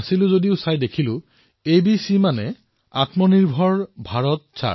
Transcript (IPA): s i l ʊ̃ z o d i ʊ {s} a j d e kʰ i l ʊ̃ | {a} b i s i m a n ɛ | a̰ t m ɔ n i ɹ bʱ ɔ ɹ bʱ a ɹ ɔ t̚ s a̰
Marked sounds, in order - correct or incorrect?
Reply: correct, incorrect: e

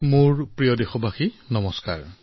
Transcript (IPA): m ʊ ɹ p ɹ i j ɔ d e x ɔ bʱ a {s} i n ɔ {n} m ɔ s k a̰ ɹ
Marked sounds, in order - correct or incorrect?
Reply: incorrect: x, incorrect: none

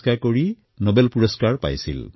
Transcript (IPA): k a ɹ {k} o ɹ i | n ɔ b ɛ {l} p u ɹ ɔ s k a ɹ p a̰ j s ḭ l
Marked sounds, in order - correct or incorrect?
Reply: correct, correct

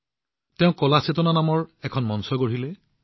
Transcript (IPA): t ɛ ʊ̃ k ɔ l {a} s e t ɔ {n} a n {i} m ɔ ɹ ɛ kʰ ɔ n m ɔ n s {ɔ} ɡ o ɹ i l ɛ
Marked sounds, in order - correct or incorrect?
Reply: correct, correct, incorrect: a, correct

